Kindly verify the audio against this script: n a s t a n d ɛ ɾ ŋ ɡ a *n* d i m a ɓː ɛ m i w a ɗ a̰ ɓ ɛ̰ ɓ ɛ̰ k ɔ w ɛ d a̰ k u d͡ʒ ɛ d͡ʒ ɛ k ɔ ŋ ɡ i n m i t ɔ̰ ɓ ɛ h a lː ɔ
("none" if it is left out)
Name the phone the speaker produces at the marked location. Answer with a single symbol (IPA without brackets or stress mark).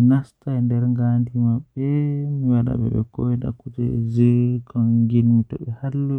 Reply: n